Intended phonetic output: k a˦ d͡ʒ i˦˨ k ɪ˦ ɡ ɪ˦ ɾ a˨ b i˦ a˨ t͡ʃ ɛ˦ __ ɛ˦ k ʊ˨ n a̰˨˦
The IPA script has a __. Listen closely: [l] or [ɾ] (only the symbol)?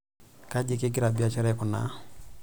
ɾ